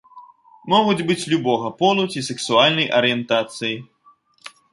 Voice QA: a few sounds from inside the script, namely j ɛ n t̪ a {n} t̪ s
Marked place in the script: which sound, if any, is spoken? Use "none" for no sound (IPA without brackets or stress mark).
none